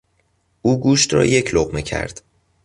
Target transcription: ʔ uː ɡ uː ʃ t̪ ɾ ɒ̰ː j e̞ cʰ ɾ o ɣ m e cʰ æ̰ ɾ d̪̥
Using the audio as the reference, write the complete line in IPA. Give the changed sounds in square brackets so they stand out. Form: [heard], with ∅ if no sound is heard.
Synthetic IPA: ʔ uː ɡ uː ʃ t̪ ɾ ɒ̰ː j e̞ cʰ [l] o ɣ m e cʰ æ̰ ɾ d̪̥